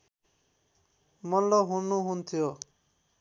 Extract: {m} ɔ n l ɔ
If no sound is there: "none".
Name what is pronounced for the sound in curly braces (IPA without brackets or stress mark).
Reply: m